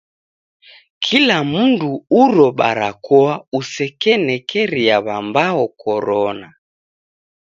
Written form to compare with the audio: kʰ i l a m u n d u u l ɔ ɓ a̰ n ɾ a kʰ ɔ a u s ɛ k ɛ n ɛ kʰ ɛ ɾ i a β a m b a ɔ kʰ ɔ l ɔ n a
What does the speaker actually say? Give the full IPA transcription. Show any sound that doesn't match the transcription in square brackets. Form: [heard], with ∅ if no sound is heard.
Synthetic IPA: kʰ i l a m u n d u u [ɾ] ɔ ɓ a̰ [∅] ɾ a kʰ ɔ a u s ɛ k ɛ n ɛ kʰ ɛ ɾ i a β a m b a ɔ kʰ ɔ [ɾ] ɔ n a